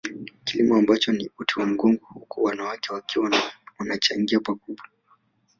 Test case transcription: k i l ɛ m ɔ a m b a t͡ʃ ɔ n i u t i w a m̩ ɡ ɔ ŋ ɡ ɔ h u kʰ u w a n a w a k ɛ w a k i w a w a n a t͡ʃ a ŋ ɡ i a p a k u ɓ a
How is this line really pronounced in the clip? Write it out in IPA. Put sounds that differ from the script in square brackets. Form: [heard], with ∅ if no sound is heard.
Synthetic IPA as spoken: k i l [i] m ɔ a m b a t͡ʃ ɔ n i u t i w a m̩ ɡ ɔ ŋ ɡ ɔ h u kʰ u w a n a w a k ɛ w a k i w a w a n a t͡ʃ a ŋ ɡ i a p a k u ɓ a